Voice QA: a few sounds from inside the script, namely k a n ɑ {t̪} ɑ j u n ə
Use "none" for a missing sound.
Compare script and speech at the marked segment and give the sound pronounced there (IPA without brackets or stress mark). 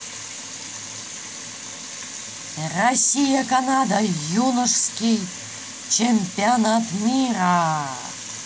d̪